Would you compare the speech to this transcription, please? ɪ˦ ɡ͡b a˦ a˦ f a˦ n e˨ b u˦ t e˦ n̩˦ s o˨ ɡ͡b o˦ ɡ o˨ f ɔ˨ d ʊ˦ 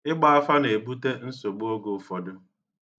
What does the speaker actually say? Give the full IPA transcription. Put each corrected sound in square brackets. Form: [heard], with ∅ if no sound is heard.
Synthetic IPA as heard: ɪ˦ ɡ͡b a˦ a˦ f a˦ n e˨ b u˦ t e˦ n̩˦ s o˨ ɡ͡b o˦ ɡ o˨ f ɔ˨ d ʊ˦